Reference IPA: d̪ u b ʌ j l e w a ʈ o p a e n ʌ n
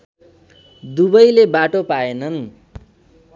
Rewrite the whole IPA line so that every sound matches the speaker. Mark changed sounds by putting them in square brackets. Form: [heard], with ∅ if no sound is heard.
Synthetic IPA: d̪ u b ʌ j l e [b] a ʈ o p a e n ʌ n